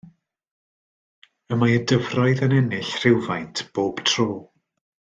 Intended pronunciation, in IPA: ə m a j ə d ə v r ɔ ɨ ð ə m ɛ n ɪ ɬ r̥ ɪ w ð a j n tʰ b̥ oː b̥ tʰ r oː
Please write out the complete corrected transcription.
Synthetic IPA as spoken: ə m a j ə d ə v r ɔ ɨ ð ə n ɛ n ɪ ɬ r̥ ɪ w v a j n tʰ b̥ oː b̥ tʰ r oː